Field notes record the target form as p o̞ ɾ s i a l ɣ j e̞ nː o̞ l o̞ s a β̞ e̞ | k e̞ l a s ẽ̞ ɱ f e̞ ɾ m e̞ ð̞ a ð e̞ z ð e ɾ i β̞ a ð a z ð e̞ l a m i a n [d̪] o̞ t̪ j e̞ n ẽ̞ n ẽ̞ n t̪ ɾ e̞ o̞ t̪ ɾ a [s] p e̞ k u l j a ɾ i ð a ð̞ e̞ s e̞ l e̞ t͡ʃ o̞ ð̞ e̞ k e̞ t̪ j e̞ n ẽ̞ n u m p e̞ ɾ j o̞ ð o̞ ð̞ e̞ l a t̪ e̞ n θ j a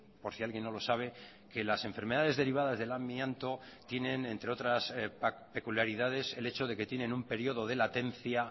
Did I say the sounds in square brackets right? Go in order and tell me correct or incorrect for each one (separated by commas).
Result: incorrect, correct